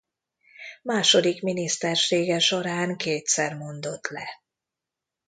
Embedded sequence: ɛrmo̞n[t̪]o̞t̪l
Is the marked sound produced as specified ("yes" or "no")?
no